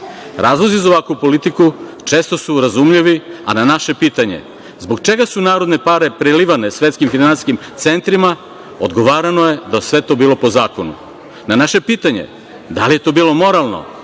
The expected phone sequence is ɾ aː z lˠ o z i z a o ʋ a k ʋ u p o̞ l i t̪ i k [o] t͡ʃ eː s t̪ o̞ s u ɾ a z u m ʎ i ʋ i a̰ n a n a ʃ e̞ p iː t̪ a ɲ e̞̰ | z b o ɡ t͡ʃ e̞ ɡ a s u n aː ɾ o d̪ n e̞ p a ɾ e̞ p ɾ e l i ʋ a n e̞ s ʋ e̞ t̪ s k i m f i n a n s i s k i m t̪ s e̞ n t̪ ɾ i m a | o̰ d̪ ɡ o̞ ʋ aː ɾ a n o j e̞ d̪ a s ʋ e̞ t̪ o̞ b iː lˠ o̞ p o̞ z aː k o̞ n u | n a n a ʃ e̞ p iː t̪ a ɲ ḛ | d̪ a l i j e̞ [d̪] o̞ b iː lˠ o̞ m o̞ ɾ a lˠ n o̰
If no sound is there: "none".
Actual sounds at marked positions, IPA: u, t̪

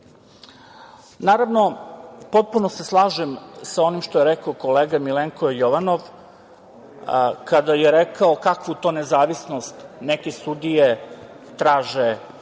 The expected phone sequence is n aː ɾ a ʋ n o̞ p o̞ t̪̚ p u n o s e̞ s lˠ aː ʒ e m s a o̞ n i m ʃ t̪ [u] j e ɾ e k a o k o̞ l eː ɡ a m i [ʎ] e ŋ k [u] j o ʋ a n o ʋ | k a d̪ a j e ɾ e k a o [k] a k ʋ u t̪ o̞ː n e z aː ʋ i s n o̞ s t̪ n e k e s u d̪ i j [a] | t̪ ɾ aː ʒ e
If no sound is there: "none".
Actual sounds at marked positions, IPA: o, l, o, k, e

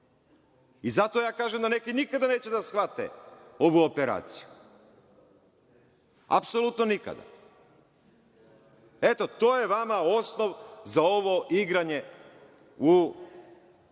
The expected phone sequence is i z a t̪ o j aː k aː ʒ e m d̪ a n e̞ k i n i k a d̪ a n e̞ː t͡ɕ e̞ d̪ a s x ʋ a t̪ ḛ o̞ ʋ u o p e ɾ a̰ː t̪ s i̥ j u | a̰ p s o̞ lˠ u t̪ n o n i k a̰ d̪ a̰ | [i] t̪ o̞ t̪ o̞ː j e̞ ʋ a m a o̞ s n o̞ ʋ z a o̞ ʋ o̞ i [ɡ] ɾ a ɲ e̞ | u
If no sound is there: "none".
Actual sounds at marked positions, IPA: e, ɡ

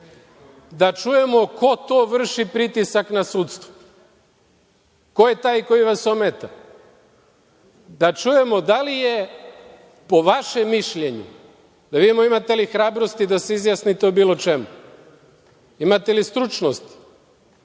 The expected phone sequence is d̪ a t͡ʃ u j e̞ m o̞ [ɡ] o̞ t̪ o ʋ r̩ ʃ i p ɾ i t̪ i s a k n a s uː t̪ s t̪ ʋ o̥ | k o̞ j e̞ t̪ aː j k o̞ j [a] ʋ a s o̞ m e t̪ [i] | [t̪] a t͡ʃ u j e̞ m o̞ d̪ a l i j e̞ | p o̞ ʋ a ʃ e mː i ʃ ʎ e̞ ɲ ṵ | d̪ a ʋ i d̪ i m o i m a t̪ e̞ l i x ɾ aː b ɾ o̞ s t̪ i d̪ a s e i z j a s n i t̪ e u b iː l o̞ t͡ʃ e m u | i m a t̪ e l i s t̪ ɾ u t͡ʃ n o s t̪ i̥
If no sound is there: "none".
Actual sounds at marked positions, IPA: k, i, a, d̪

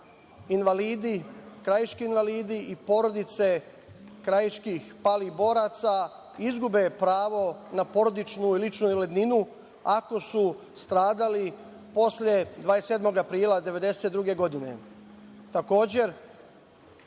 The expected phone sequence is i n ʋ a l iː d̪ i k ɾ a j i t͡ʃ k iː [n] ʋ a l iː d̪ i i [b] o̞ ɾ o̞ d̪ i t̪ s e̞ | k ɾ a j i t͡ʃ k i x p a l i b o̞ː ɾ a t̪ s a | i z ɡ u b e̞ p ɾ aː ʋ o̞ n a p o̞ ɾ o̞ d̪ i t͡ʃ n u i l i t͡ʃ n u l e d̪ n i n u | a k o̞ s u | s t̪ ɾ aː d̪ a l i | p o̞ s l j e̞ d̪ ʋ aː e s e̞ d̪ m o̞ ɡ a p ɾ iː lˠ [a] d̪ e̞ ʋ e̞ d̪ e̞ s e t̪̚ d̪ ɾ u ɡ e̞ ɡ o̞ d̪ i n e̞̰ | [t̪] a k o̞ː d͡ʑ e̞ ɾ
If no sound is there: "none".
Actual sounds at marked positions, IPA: n, p, a, t̪

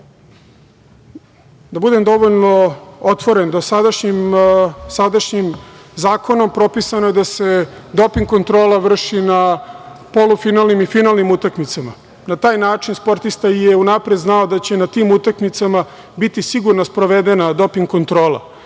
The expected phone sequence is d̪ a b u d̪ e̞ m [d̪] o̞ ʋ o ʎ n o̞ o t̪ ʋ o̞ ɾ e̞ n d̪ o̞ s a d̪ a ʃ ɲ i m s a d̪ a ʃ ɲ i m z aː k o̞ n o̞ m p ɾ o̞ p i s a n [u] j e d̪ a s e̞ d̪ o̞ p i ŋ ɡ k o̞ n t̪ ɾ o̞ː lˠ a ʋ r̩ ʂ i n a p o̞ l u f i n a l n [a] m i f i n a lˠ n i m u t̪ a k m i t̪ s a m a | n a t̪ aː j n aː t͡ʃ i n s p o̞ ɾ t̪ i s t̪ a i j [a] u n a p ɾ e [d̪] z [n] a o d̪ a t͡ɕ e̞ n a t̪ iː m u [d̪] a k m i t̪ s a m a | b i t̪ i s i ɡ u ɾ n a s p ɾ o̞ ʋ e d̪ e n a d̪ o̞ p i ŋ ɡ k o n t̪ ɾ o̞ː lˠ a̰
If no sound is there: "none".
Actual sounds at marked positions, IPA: d̪, o, i, e, d̪, n, t̪

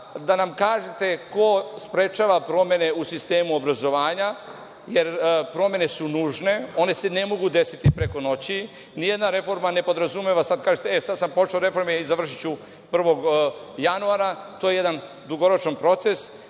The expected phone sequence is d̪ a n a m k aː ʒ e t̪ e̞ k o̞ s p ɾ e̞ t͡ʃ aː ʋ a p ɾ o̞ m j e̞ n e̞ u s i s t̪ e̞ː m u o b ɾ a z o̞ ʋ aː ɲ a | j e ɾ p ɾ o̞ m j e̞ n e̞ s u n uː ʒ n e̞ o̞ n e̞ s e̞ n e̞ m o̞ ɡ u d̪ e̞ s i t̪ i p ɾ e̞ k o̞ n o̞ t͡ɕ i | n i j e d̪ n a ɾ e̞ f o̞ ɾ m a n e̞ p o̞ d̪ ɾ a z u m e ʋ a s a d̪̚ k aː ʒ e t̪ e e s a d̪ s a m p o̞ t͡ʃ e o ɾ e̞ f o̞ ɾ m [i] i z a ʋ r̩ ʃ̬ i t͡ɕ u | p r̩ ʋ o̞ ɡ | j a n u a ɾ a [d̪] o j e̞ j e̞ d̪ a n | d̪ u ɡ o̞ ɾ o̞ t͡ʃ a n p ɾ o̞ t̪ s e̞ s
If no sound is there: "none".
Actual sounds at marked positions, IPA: e, t̪

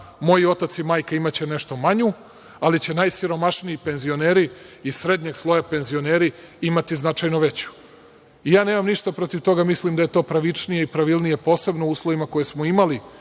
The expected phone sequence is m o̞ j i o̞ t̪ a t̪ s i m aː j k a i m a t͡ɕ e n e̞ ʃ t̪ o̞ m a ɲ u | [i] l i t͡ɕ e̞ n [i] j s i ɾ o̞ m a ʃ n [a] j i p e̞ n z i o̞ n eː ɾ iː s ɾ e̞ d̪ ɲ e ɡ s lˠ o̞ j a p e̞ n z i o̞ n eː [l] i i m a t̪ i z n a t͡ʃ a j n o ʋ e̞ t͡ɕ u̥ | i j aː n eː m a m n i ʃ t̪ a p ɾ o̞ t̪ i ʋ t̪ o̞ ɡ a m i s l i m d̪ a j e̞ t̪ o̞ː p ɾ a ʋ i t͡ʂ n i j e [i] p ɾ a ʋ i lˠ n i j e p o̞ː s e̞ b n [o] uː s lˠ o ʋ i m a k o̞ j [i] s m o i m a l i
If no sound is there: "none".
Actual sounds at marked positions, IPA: a, a, i, ɾ, i, o, e

